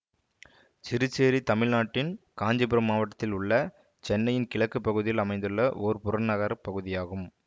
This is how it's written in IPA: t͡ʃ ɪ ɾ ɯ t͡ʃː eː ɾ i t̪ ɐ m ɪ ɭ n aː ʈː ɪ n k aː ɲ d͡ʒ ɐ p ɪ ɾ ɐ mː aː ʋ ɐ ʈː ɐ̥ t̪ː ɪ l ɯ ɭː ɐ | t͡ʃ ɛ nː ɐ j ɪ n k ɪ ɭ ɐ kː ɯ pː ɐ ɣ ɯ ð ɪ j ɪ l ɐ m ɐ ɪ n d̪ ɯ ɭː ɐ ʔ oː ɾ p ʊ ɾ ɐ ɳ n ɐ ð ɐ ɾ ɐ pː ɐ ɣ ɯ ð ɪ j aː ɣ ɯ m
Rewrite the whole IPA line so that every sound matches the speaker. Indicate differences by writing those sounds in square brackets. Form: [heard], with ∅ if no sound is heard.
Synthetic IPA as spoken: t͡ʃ ɪ ɾ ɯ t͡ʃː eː ɾ i t̪ ɐ m ɪ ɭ n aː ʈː ɪ n k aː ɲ d͡ʒ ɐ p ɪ ɾ ɐ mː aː ʋ ɐ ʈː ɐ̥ t̪ː ɪ l [ʊ] ɭː ɐ | t͡ʃ ɛ nː ɐ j ɪ n k ɪ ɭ ɐ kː ɯ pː ɐ ɣ ɯ ð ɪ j ɪ l ɐ m ɐ ɪ n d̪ ɯ ɭː ɐ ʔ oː ɾ p ʊ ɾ ɐ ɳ n ɐ [ɣ] ɐ ɾ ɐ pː ɐ ɣ ɯ ð ɪ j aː ɣ ɯ m

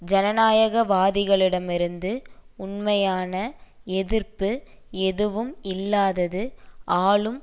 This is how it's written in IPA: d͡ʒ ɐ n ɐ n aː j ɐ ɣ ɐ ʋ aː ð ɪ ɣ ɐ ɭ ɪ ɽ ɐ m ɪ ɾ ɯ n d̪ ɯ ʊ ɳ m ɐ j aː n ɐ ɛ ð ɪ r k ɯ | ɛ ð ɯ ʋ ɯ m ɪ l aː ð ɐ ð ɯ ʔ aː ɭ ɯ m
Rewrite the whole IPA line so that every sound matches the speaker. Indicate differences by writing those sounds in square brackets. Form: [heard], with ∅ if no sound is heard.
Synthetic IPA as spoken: d͡ʒ ɐ n ɐ n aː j ɐ ɣ ɐ ʋ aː ð ɪ ɣ ɐ ɭ ɪ ɽ ɐ m ɪ ɾ ɯ n d̪ ɯ ʊ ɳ m ɐ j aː n ɐ ɛ ð ɪ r [p] ɯ | ɛ ð ɯ ʋ ɯ m ɪ [lː] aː ð ɐ ð ɯ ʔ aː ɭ ɯ m

